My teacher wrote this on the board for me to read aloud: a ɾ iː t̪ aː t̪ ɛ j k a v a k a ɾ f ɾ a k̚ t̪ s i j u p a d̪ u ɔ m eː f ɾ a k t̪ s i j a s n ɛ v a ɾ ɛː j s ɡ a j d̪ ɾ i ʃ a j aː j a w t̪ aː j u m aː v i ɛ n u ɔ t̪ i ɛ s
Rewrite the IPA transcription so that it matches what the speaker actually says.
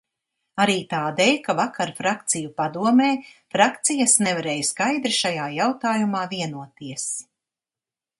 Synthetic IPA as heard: a ɾ iː t̪ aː d̪ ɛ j k a v a k a ɾ f ɾ a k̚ t̪ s i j u p a d̪ u ɔ m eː f ɾ a k t̪ s i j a s n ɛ v a ɾ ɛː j s k a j d̪ ɾ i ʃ a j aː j a w t̪ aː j u m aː v i ɛ n u ɔ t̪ i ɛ s